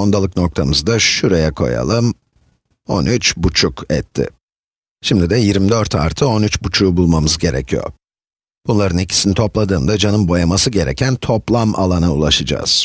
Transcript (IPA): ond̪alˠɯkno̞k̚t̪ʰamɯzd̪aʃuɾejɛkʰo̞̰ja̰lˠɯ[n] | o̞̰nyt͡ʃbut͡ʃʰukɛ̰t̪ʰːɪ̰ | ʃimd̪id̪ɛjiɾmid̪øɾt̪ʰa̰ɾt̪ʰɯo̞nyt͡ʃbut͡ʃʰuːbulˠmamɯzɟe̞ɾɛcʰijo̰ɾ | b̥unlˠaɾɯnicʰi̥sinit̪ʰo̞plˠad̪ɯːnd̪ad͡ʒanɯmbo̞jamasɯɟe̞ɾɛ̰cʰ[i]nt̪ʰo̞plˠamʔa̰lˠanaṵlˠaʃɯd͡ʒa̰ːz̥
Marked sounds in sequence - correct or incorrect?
incorrect, incorrect

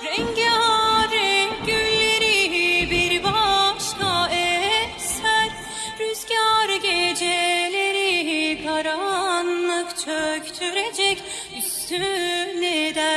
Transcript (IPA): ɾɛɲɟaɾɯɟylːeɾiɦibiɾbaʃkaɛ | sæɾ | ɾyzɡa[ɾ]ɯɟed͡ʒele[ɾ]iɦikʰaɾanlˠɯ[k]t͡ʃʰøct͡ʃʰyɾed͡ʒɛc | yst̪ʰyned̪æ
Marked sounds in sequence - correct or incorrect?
correct, correct, correct

